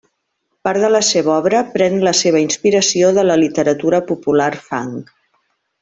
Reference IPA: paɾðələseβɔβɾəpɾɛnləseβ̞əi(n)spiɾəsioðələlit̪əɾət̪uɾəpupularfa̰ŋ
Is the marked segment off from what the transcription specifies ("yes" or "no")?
no